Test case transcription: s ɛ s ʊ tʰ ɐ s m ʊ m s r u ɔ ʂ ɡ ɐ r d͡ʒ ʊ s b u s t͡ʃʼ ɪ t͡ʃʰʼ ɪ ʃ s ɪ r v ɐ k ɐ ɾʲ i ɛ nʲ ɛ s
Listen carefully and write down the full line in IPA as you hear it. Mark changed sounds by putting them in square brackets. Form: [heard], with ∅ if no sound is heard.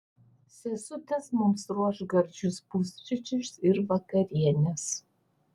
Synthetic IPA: s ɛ s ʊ tʰ ɐ s m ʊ m s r u ɔ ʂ ɡ ɐ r d͡ʒ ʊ s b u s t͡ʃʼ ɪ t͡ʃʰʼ ɪ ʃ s ɪ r v ɐ k ɐ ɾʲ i ɛ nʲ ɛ s